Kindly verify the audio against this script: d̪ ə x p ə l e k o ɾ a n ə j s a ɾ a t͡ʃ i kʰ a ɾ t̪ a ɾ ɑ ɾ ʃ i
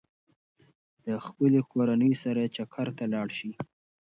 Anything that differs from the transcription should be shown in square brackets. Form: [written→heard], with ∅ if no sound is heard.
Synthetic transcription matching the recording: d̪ ə x p ə l e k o ɾ a n ə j s a ɾ a t͡ʃ [i→a] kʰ a ɾ t̪ a [ɾ→l] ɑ [ɾ→ɽ] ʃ i